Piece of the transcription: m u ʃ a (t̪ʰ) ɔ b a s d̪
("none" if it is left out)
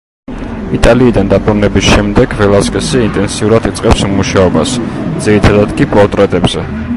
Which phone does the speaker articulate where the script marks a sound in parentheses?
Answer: none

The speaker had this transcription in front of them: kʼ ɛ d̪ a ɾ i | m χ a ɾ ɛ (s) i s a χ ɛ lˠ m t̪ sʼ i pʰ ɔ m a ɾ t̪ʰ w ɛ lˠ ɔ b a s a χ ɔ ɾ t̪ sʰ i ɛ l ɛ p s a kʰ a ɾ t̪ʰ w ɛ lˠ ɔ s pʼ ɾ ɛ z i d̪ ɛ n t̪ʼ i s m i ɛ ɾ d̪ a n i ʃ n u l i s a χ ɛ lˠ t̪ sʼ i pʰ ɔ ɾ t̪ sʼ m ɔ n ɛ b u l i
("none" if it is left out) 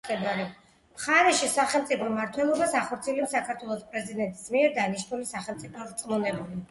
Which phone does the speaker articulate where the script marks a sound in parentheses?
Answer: ʃ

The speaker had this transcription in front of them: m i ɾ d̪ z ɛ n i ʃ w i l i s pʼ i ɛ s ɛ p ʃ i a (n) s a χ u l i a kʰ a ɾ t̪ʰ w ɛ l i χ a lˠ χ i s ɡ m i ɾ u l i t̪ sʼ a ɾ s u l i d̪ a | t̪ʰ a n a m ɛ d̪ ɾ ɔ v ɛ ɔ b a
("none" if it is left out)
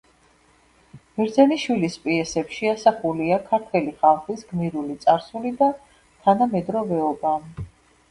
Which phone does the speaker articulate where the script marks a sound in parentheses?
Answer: none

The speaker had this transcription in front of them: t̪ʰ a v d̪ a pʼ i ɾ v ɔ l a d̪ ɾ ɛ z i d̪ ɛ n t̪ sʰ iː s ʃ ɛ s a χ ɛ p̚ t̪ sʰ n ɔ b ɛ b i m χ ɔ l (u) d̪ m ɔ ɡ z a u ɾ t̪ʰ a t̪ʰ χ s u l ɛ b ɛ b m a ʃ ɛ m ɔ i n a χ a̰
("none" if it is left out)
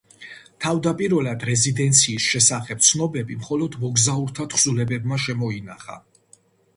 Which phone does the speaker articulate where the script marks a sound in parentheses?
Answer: ɔ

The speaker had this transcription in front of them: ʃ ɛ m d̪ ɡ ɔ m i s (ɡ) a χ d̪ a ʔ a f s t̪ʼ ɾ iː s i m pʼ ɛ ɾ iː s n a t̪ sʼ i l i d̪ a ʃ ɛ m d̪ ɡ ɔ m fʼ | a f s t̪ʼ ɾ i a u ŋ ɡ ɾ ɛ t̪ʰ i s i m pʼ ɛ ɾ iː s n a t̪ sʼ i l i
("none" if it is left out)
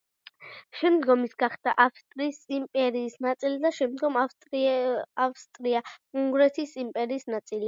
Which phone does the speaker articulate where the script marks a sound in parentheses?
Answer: ɡ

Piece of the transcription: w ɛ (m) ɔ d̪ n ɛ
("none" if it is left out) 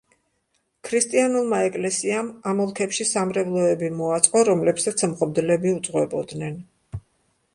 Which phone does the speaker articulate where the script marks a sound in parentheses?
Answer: b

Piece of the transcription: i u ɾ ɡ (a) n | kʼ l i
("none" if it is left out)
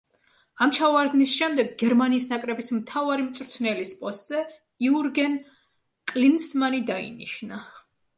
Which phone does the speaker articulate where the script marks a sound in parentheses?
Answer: ɛ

